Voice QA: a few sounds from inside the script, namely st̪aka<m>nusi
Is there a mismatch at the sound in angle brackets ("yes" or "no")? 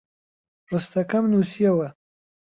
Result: no